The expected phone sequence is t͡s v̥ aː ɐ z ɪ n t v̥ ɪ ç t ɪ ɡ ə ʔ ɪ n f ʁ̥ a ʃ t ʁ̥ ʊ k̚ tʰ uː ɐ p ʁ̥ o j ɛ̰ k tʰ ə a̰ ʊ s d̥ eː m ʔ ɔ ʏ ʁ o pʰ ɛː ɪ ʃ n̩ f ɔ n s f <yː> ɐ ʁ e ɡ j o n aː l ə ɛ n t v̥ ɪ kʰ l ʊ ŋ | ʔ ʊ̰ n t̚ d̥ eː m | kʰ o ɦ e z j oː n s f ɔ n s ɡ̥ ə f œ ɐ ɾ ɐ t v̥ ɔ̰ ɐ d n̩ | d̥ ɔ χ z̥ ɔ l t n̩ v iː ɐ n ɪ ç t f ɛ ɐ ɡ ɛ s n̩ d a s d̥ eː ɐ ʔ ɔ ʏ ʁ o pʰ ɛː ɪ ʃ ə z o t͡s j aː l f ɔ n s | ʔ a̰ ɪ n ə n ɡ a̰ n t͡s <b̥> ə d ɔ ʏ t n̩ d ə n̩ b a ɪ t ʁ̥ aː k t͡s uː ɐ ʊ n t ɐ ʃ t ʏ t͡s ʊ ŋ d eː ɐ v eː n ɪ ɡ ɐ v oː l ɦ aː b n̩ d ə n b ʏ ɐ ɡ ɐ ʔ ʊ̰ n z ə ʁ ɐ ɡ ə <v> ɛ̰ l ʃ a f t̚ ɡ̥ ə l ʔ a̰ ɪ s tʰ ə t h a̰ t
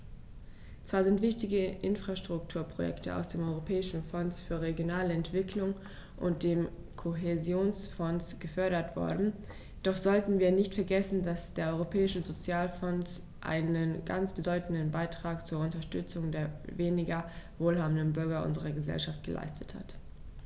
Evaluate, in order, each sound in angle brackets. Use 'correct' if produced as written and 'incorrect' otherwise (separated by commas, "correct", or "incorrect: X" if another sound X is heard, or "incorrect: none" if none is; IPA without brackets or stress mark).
correct, correct, incorrect: z